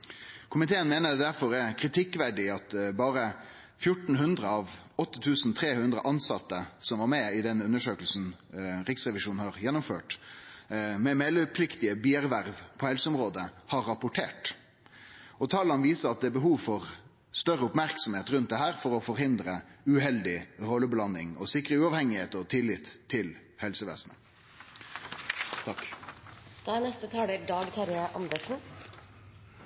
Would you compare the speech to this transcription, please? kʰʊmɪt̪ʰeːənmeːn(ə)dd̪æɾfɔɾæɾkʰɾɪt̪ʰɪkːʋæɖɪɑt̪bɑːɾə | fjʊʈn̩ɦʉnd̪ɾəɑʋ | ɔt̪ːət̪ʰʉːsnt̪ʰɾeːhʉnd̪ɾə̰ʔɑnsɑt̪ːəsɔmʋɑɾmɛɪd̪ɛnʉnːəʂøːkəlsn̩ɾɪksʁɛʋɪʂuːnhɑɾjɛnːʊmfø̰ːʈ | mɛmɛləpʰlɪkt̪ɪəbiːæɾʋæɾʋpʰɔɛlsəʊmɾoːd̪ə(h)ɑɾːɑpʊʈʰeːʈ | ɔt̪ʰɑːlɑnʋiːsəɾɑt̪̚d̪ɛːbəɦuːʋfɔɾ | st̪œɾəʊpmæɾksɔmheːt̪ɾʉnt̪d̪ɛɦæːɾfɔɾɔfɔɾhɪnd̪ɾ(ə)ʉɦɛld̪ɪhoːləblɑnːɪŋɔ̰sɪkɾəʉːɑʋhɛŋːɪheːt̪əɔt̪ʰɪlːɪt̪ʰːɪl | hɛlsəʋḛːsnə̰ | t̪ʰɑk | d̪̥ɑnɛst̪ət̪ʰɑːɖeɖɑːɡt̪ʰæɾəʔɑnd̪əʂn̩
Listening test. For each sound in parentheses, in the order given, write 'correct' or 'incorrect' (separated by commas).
correct, correct, correct